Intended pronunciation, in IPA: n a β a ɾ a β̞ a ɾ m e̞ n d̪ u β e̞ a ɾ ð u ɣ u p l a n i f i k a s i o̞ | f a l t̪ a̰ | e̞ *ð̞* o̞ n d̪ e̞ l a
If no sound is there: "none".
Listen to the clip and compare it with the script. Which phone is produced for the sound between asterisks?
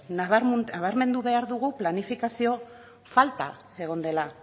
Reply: ɣ̞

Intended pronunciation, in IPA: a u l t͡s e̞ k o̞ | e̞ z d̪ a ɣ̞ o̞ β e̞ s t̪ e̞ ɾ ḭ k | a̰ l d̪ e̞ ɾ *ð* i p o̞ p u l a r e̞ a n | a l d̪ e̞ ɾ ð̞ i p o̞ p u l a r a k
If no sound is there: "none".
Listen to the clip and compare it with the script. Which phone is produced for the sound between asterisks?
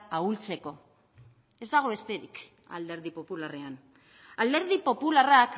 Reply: ð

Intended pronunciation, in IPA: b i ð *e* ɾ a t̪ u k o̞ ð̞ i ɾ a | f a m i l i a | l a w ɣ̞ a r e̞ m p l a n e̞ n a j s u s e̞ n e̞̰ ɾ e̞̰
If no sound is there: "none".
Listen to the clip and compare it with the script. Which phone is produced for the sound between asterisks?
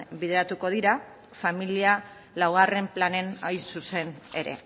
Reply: e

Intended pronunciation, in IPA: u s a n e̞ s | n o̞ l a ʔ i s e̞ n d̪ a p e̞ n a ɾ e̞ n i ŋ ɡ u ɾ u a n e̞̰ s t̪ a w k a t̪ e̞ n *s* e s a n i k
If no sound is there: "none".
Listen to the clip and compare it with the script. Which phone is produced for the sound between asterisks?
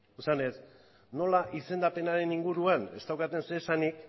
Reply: s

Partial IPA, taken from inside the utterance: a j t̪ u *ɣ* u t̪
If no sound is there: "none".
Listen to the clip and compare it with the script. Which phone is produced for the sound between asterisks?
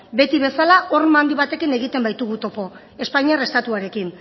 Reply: ɣ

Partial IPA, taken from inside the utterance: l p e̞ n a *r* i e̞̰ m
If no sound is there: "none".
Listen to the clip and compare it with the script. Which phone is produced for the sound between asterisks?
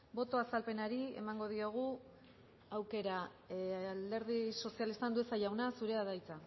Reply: ɾ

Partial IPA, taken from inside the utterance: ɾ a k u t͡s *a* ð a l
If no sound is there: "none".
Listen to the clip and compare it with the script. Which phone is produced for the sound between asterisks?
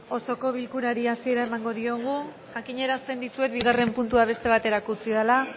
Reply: i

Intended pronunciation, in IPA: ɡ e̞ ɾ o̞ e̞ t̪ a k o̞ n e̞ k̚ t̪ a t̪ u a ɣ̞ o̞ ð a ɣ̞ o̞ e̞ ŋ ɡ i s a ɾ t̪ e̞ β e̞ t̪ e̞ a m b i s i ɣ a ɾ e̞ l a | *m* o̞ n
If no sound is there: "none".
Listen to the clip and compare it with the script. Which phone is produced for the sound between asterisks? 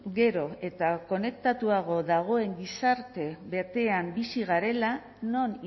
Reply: n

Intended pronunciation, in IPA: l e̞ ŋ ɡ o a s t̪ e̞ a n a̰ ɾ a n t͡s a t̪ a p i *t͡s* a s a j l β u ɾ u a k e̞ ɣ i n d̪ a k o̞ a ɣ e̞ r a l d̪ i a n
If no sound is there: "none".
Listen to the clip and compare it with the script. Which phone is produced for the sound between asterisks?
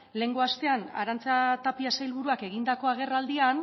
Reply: none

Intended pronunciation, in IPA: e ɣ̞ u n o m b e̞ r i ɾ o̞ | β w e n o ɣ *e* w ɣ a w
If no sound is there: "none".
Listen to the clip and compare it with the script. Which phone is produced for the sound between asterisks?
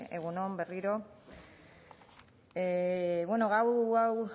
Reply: a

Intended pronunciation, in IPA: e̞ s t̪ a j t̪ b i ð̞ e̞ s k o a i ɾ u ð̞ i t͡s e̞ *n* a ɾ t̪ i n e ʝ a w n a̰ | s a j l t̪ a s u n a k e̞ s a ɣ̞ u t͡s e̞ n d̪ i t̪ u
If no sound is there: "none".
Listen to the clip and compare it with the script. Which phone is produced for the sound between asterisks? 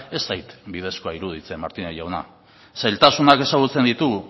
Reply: m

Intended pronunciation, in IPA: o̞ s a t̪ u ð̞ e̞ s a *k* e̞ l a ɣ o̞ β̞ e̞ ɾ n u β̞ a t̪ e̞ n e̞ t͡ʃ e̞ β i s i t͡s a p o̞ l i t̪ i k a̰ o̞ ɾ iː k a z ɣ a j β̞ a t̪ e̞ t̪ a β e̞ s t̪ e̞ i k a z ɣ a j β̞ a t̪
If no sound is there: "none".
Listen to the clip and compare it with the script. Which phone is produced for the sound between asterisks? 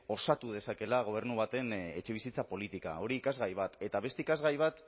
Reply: k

